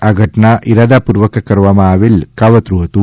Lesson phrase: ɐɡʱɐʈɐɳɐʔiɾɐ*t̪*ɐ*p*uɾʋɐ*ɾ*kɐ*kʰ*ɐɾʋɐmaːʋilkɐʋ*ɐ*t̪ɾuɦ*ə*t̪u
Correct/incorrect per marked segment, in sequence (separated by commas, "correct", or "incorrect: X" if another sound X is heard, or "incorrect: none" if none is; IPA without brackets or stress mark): incorrect: d̪, correct, incorrect: none, incorrect: k, correct, incorrect: ɐ